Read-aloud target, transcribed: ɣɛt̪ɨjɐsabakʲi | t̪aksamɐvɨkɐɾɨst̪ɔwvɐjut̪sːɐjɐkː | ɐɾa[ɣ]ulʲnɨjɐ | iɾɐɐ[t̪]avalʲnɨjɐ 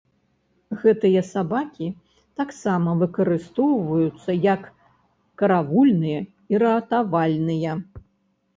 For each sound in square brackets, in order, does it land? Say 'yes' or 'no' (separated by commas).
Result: no, yes